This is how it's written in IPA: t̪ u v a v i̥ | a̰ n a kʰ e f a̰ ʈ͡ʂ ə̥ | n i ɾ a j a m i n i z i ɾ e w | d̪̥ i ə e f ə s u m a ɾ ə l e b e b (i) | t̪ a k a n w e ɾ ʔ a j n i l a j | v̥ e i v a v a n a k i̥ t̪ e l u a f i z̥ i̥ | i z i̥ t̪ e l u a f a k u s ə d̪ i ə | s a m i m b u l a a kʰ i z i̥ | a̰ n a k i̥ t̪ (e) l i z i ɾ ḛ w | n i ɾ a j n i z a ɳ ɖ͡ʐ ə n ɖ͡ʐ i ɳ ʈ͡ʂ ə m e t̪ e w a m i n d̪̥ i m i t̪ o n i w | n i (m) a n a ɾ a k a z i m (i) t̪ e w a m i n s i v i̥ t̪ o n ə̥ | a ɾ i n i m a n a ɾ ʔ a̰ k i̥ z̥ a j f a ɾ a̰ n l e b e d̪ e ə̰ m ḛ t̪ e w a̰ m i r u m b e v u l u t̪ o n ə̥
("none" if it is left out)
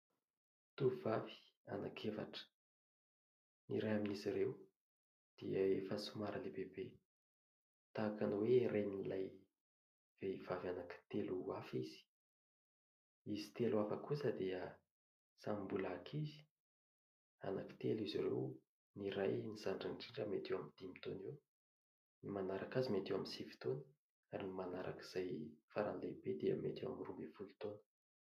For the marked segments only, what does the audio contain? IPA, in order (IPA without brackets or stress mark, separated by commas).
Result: e, e, m, e